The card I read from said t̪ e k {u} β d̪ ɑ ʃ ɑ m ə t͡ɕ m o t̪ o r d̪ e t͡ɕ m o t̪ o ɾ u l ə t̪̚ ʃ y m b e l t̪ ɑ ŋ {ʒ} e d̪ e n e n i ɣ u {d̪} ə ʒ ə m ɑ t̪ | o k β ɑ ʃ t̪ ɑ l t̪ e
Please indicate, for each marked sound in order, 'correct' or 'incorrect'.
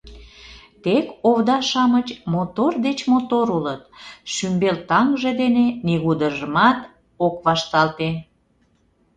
incorrect: o, correct, correct

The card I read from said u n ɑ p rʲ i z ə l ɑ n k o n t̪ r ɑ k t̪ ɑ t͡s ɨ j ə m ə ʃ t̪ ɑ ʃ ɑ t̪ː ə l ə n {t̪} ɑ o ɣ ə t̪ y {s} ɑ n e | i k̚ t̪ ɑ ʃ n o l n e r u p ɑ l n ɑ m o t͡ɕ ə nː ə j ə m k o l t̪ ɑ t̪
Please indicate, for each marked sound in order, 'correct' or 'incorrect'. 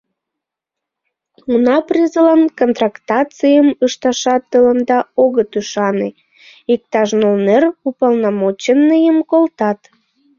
incorrect: d̪, incorrect: ʃ

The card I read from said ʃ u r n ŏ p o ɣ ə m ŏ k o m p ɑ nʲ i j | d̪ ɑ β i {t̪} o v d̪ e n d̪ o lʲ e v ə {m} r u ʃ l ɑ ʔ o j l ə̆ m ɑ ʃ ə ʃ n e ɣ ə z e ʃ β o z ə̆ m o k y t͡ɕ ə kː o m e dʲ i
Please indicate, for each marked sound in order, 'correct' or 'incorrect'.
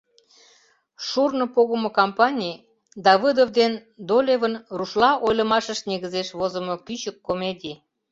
incorrect: d̪, incorrect: n

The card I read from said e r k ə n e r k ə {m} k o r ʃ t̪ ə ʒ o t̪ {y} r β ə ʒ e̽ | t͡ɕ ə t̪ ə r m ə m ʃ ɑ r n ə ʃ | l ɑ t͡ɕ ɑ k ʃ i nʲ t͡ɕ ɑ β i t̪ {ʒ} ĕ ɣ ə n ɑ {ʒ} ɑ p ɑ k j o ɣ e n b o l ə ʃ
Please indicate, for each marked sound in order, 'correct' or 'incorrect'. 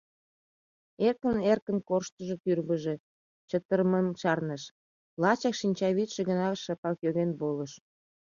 incorrect: n, correct, incorrect: ʃ, incorrect: ʃ

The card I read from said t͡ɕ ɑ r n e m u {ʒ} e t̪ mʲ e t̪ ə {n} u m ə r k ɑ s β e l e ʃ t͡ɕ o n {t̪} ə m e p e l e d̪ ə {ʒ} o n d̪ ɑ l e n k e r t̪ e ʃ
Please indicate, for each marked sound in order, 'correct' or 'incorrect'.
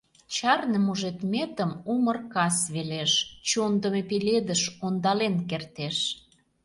correct, incorrect: m, incorrect: d̪, incorrect: ʃ

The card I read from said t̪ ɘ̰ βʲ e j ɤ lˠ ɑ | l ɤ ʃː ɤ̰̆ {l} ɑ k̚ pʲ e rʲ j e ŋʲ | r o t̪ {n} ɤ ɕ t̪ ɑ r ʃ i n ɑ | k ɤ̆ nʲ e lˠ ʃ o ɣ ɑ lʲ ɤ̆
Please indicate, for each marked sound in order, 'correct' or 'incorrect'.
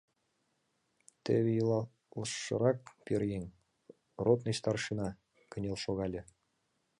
incorrect: ɾ, correct

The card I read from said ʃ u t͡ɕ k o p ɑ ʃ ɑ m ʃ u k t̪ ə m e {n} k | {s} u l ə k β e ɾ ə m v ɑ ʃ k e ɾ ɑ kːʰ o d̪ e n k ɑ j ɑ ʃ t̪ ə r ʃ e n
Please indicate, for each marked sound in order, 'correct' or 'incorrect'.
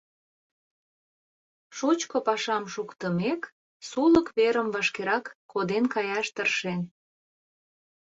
incorrect: none, correct

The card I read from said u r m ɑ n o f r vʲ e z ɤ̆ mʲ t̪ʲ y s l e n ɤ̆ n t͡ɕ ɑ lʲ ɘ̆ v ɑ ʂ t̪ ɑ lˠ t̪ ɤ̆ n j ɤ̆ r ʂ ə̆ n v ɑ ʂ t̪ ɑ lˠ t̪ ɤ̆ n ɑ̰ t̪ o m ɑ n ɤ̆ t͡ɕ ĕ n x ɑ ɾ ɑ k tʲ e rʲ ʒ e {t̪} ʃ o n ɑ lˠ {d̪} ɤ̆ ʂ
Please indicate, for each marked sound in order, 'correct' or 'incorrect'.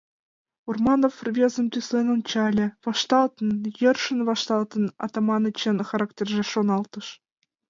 incorrect: none, incorrect: t̪

